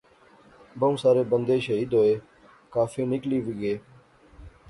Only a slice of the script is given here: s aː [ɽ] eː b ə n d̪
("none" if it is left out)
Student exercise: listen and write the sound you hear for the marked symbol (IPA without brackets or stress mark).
ɾ